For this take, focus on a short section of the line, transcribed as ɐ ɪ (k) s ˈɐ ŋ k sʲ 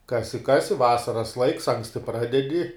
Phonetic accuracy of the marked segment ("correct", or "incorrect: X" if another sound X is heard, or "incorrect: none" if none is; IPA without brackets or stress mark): correct